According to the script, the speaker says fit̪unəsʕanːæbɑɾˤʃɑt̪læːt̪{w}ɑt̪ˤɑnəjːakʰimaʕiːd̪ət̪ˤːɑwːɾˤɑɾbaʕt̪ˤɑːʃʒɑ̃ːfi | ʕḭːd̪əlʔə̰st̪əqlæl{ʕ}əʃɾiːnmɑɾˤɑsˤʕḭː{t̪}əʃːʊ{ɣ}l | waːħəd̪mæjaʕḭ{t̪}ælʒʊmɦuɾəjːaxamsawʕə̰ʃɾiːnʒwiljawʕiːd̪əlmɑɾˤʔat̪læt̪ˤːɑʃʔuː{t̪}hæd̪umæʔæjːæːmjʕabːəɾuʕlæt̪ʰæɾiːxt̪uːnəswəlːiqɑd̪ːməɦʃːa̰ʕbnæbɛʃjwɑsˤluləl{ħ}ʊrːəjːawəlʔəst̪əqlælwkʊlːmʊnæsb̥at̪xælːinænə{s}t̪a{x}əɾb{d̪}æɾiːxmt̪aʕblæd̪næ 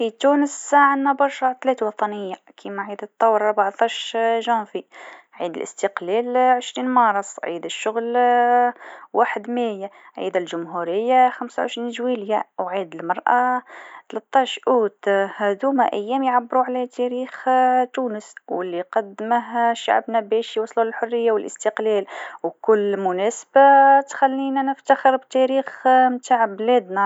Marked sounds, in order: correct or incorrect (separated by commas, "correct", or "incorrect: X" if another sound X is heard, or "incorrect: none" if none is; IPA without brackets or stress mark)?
correct, correct, incorrect: d̪, correct, incorrect: d̪, correct, correct, incorrect: f, correct, incorrect: t̪